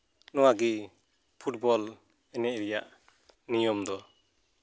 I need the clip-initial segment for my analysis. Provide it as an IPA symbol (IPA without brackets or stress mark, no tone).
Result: n